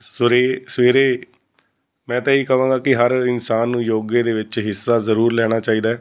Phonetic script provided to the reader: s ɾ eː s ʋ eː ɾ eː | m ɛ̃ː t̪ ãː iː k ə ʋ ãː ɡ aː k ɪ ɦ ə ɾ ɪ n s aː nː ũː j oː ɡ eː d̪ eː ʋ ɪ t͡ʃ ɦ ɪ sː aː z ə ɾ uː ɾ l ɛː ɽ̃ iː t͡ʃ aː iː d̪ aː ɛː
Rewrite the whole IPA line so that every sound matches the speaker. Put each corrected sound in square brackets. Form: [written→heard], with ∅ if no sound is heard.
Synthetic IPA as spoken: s ɾ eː s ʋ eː ɾ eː | m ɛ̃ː t̪ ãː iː k ə ʋ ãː ɡ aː k ɪ ɦ ə ɾ ɪ n s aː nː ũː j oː ɡ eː d̪ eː ʋ ɪ t͡ʃ ɦ ɪ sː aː z ə ɾ uː ɾ l ɛː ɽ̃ [iː→aː] t͡ʃ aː iː d̪ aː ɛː